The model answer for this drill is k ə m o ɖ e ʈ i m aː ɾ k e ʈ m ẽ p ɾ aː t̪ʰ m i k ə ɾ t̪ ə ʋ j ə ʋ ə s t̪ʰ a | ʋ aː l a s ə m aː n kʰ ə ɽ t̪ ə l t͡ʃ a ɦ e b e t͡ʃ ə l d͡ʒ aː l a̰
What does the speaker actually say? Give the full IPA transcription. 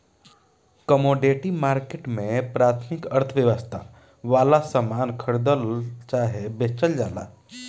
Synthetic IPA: k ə m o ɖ e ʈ i m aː ɾ k e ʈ m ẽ p ɾ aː t̪ʰ m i k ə ɾ t̪ʰ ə ʋ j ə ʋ ə s t̪ʰ a | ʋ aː l a s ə m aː n kʰ ə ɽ d̪ ə l t͡ʃ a ɦ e b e t͡ʃ ə l d͡ʒ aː l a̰